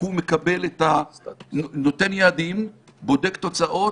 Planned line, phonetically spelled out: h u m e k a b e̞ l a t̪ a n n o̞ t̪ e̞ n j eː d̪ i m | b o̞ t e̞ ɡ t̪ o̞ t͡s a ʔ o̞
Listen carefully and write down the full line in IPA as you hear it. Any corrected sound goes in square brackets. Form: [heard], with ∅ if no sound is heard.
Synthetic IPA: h u m e k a b e̞ l [e] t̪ a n n o̞ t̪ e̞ n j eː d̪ i m | b o̞ [d] e̞ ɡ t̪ o̞ t͡s a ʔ o̞